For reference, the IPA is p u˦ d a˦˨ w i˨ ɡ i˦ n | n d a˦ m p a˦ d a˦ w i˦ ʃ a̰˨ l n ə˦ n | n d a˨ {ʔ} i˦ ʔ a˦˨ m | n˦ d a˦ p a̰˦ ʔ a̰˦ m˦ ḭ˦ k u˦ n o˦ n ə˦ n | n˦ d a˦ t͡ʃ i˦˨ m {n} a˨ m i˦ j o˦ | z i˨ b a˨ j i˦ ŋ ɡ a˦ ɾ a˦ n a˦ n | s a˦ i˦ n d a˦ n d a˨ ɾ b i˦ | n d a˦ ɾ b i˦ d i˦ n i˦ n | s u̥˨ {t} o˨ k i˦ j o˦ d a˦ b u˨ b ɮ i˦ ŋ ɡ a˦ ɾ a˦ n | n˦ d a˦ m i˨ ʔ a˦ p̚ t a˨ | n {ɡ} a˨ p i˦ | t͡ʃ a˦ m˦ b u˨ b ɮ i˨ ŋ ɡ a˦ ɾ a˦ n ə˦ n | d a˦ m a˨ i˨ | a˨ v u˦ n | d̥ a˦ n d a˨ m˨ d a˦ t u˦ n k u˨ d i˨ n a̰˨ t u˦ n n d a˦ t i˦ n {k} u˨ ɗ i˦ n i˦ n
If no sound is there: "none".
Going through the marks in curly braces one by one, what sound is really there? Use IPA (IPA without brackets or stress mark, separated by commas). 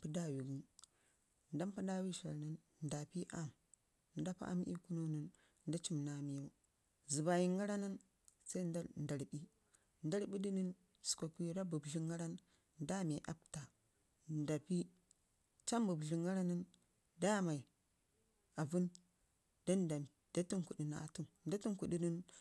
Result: p, n, k, d, k